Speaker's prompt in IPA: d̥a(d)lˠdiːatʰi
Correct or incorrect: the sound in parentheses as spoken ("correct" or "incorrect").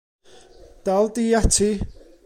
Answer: incorrect